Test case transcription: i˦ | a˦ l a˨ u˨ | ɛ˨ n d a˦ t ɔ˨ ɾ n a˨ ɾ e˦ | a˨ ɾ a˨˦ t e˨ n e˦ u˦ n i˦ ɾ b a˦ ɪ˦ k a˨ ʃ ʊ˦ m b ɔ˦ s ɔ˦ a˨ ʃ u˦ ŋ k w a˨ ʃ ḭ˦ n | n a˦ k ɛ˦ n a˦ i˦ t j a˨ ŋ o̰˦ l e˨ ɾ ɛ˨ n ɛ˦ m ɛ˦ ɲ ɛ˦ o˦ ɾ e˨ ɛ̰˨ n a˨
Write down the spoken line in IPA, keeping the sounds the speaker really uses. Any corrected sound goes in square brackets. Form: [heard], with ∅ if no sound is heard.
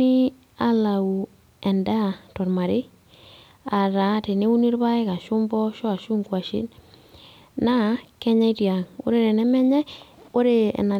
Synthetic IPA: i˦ | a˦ l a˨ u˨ | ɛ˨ n d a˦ t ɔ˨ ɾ [m] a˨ ɾ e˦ | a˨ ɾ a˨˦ t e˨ n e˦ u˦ n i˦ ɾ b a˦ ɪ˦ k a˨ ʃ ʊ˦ m b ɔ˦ [ʃ] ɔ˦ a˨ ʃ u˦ ŋ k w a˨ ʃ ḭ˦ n | n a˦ k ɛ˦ [ɲ] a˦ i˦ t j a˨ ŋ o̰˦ [ɾ] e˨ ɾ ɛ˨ n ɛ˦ m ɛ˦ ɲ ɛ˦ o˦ ɾ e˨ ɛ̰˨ n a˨